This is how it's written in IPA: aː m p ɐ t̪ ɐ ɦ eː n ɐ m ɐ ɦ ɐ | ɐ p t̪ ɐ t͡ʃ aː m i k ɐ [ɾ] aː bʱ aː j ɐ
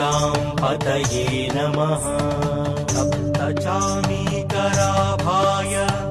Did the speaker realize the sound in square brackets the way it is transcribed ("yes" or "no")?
yes